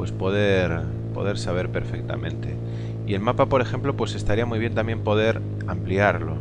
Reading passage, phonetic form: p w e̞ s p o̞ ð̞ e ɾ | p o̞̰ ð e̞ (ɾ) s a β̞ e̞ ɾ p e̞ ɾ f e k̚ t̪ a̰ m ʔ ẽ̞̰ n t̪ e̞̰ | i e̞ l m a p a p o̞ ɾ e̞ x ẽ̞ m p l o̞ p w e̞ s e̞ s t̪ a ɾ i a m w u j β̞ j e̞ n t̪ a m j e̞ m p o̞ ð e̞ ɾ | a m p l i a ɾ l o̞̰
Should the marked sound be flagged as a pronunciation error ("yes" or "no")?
no